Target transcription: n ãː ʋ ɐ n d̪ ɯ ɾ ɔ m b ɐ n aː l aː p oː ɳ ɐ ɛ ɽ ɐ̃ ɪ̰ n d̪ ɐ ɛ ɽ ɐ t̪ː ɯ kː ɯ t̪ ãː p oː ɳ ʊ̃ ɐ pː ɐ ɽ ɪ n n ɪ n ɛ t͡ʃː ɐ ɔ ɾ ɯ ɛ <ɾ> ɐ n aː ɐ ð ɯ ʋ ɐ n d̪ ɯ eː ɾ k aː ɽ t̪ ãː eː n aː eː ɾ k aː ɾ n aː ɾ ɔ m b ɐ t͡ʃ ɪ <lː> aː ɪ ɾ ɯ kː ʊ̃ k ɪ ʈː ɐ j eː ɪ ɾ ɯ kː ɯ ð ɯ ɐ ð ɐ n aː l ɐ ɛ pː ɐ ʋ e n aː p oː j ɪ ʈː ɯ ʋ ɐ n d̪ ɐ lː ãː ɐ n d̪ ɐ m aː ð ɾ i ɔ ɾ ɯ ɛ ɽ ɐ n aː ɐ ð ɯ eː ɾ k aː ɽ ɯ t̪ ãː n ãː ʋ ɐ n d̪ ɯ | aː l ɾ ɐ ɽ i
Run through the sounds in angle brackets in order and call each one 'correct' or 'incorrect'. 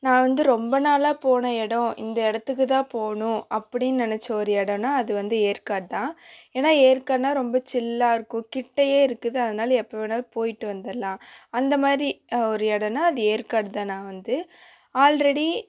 incorrect, correct

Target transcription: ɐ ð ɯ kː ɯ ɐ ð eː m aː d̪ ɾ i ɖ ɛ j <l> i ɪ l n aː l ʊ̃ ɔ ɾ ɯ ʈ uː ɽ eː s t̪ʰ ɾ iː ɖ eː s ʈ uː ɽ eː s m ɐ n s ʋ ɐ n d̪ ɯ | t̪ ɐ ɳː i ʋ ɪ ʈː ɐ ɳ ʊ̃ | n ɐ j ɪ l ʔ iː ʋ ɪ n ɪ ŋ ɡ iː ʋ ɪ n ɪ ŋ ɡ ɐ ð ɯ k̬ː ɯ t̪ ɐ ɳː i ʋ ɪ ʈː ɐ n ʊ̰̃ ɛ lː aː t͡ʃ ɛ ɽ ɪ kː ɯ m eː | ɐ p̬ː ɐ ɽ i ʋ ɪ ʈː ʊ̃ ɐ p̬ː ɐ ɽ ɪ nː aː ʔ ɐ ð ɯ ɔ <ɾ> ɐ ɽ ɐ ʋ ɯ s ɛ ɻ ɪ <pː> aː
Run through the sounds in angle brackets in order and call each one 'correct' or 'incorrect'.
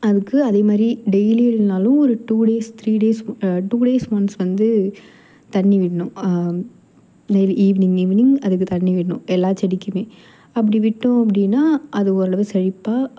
correct, correct, correct

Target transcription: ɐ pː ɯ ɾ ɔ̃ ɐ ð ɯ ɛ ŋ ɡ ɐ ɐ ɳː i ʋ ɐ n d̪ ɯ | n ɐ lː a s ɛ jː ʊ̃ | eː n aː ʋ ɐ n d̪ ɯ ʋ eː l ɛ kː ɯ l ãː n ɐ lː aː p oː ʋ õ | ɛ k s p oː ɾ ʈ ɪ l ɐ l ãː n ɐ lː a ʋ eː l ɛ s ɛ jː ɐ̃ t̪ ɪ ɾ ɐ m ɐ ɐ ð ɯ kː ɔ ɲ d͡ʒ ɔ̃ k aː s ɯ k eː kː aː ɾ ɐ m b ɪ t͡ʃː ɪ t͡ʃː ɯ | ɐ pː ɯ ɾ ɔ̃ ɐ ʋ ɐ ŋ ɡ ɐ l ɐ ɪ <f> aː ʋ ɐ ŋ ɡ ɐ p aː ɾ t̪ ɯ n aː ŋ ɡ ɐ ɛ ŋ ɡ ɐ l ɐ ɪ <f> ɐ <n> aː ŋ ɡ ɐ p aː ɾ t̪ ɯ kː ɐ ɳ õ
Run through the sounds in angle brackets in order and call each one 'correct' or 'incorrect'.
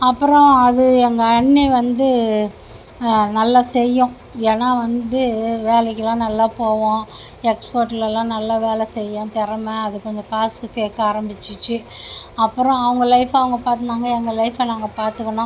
correct, correct, correct

